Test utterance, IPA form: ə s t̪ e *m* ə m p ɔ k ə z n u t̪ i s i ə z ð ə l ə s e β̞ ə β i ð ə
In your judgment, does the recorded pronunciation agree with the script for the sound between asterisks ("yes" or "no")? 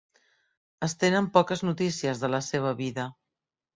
no